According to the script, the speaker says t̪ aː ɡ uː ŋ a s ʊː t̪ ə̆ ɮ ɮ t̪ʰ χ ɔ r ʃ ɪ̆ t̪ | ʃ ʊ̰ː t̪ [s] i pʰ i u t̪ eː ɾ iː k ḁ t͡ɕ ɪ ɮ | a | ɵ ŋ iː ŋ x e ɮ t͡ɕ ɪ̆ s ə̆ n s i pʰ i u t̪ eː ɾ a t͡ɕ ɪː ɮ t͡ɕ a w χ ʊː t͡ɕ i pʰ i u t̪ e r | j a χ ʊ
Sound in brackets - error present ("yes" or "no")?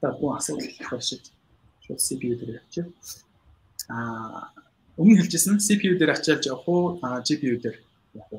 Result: no